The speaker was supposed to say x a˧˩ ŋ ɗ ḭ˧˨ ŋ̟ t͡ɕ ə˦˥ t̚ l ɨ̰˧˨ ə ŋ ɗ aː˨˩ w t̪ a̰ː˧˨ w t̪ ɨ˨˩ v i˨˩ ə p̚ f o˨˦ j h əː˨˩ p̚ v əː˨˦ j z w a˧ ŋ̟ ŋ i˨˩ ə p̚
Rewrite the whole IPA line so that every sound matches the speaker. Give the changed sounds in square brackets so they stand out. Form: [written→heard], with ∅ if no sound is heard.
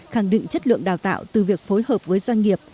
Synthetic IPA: x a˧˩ ŋ ɗ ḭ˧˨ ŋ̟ t͡ɕ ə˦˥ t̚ l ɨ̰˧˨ ə ŋ ɗ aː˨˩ w t̪ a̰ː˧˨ w t̪ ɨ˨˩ v i˨˩ ə [p̚→k̚] f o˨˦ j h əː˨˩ p̚ v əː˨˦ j z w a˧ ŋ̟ ŋ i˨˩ ə p̚